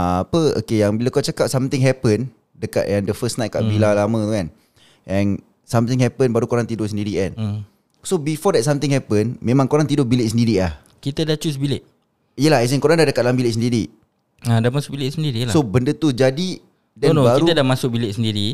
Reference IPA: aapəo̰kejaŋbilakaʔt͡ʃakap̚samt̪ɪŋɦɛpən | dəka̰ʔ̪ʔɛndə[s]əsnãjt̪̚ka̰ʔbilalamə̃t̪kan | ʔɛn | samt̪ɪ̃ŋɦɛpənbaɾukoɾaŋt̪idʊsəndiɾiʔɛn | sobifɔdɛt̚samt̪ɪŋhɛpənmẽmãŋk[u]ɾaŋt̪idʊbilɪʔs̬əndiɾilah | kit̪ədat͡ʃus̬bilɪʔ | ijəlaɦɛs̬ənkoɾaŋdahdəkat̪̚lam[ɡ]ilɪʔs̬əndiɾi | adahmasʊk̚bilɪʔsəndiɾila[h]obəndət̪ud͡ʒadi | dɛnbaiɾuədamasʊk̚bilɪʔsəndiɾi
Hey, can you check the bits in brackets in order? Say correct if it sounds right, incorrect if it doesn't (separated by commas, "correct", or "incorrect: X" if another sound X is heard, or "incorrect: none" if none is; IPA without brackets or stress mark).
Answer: incorrect: f, incorrect: o, incorrect: b, incorrect: s